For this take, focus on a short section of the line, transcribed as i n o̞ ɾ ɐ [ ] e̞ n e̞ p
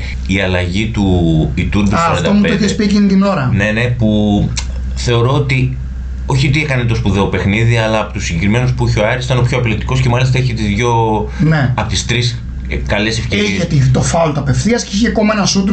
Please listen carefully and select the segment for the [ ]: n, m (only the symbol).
n